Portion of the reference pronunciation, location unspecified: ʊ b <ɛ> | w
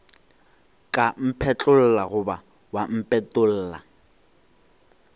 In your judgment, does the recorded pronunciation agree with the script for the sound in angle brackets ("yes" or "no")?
no